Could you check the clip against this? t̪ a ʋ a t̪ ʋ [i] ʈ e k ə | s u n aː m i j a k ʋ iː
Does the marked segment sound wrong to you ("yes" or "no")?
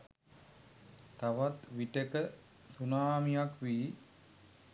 no